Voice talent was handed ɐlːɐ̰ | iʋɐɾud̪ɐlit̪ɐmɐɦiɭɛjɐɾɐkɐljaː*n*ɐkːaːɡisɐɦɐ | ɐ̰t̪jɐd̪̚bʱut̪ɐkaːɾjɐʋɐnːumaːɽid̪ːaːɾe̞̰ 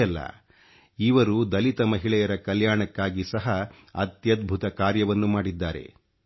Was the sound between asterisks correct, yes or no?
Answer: no